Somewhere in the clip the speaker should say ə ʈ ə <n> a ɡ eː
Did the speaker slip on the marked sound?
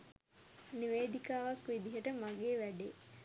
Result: yes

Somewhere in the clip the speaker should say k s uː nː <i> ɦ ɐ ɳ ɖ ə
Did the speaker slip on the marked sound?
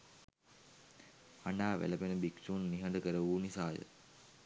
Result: no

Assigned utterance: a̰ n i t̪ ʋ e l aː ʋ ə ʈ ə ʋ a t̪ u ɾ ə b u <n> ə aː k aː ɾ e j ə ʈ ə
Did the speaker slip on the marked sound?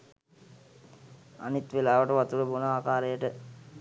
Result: no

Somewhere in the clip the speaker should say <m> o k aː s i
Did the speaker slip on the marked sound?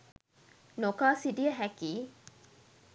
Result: yes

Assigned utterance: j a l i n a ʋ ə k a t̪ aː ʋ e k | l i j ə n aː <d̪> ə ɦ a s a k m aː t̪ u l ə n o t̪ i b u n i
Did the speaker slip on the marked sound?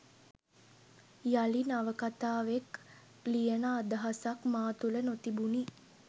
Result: no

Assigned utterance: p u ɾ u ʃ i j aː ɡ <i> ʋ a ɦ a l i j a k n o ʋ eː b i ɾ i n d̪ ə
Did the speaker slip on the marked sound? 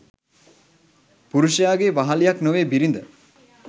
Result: yes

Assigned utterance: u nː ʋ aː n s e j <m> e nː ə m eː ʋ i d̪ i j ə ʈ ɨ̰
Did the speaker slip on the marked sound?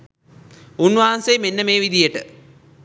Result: no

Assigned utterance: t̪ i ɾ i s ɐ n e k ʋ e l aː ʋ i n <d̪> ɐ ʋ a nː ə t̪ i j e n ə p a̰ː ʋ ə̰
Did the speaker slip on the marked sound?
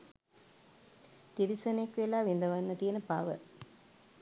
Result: no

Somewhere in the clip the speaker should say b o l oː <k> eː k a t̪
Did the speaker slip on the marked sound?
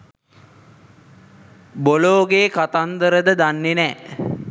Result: yes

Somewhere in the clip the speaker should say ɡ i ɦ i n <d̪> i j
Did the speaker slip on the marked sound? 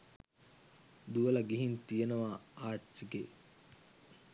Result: yes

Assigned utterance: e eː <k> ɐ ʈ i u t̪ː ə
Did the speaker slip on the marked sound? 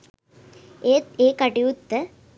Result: no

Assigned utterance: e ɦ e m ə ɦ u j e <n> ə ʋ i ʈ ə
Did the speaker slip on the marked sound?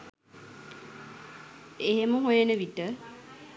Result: no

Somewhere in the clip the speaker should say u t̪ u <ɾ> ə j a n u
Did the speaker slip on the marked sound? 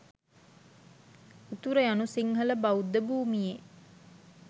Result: no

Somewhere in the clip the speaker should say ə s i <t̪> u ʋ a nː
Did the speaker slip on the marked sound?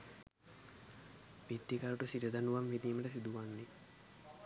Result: yes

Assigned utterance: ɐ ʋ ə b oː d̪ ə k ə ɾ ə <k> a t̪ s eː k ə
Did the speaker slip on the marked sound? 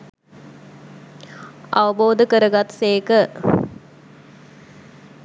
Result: yes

